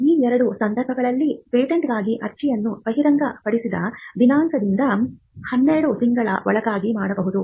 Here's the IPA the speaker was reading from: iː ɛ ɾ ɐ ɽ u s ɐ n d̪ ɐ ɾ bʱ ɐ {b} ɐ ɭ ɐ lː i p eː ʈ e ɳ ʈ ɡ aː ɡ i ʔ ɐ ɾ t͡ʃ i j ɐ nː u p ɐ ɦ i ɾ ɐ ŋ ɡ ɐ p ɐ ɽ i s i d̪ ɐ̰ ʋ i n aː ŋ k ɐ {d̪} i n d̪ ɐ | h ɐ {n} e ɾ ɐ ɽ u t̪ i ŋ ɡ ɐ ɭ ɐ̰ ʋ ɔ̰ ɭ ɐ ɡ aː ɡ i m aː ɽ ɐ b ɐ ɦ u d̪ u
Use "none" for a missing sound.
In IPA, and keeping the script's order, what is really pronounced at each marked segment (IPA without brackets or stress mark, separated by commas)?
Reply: ɡ, d̪, nː